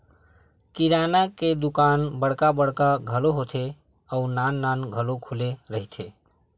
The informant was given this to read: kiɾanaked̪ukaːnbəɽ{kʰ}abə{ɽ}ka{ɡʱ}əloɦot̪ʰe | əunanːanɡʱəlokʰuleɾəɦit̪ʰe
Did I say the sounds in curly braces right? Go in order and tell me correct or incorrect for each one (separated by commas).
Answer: incorrect, correct, correct